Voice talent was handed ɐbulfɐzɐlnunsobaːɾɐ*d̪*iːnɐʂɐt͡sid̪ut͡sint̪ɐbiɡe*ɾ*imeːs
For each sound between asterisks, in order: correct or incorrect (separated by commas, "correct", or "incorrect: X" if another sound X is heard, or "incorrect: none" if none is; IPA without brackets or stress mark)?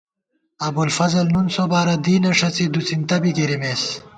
correct, correct